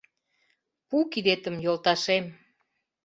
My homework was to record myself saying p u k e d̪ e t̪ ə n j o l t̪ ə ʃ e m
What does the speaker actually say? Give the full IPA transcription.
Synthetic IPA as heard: p u k i d̪ e t̪ ə m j o l t̪ ɑ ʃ e m